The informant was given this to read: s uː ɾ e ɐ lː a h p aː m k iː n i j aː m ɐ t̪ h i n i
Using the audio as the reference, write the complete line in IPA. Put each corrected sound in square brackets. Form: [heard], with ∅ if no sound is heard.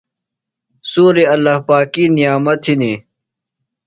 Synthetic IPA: s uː ɾ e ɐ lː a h p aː [∅] k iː n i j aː m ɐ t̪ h i n i

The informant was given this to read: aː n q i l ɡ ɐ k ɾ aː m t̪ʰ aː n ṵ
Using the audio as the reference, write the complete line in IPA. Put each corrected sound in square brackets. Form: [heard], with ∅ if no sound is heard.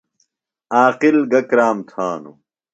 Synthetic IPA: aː [∅] q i l ɡ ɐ k ɾ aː m t̪ʰ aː n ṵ

